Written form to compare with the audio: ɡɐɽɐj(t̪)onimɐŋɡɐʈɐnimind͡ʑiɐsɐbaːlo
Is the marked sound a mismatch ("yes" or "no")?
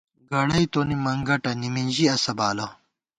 no